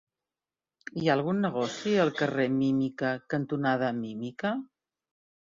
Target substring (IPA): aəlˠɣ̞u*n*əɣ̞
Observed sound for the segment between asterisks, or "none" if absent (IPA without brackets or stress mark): nː